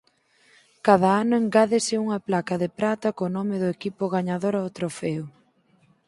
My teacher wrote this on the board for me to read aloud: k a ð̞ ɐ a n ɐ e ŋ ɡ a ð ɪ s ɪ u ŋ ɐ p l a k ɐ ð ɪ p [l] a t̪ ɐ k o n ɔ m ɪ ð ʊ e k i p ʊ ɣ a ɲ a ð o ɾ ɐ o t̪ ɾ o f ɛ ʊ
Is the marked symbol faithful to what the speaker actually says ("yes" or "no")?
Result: no